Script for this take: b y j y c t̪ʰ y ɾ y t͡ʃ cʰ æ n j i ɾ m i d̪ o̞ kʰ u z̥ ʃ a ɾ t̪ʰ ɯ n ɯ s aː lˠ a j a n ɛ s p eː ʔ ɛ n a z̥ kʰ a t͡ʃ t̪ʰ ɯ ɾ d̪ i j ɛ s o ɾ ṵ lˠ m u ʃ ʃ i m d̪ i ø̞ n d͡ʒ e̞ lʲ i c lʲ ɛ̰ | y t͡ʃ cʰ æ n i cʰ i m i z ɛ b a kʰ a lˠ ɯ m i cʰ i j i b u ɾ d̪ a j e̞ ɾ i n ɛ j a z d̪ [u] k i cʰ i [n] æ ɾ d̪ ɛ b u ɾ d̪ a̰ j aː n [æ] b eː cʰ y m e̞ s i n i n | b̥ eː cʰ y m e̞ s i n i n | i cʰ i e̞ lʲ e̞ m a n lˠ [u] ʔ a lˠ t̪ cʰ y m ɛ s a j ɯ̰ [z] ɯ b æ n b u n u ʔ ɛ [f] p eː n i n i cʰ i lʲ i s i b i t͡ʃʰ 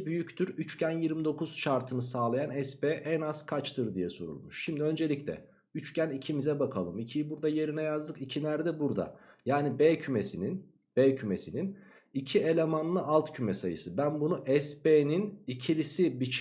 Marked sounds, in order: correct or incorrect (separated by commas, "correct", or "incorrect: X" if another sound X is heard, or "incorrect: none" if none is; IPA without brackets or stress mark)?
incorrect: ɯ, correct, incorrect: i, incorrect: ɯ, incorrect: s, incorrect: s